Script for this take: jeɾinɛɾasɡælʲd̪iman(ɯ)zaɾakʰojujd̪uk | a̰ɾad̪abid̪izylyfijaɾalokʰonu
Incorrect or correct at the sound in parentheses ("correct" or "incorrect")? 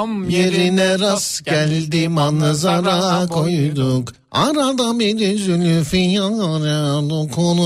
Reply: correct